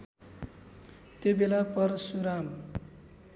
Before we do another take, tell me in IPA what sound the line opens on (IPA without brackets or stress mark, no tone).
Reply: t̪